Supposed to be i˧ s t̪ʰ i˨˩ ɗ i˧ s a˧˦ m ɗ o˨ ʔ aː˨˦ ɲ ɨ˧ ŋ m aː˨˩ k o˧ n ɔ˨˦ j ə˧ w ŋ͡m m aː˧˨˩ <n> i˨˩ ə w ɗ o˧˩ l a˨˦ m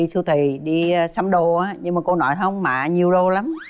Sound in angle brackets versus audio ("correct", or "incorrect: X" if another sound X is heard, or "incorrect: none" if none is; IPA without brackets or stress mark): incorrect: ɲ